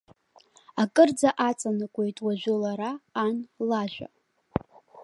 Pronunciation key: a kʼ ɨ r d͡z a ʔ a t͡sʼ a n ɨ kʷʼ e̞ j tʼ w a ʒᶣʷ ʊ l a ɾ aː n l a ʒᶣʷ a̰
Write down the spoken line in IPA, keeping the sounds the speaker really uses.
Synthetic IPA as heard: a kʼ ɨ r d͡z a ʔ a t͡sʼ a n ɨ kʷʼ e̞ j tʼ w a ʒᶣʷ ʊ l a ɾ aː n l a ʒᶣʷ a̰